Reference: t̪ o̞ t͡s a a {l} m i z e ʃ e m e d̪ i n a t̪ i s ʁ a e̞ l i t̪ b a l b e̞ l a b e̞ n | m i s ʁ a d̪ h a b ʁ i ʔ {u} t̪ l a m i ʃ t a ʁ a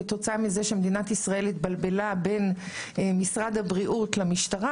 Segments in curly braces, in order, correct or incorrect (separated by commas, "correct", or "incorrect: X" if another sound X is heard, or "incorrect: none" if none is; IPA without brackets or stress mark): incorrect: none, correct